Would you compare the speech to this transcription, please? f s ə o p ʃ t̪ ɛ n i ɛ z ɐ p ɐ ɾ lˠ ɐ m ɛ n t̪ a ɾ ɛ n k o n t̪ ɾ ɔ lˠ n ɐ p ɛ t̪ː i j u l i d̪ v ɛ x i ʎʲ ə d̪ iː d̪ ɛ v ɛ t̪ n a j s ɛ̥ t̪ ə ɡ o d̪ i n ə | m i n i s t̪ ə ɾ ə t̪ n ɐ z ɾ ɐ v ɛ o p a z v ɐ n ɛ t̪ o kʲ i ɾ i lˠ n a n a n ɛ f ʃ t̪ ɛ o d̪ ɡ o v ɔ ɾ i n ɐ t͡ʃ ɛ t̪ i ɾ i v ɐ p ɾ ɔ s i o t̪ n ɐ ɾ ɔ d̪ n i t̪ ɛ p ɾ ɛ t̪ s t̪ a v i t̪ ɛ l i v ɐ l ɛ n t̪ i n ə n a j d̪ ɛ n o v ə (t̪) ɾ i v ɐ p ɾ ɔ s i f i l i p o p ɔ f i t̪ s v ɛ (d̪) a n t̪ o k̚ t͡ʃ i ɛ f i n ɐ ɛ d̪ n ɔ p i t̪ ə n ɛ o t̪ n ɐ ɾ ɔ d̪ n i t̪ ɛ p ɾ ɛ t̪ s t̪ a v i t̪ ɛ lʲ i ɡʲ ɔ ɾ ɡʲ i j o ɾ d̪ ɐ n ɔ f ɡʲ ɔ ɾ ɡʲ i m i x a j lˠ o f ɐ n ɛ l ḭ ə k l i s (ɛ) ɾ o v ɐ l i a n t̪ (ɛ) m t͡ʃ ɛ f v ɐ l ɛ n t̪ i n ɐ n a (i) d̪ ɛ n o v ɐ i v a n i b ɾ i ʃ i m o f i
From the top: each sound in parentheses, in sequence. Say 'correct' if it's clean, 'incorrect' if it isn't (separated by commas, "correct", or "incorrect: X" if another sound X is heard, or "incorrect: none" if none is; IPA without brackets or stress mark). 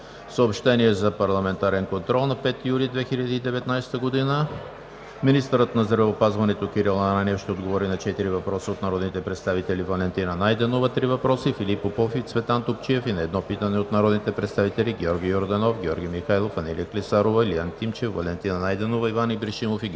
correct, incorrect: t̪, incorrect: a, incorrect: i, incorrect: j